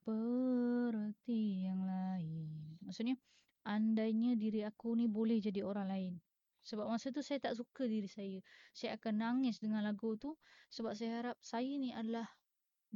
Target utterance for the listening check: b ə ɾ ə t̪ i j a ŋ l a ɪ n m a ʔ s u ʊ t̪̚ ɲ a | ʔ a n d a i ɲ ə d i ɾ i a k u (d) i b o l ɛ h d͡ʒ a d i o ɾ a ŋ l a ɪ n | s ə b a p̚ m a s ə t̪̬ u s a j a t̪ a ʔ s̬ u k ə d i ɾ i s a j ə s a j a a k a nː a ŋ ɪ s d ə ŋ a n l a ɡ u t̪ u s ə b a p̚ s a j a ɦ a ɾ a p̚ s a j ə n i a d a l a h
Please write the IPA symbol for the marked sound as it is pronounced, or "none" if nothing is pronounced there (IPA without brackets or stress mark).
n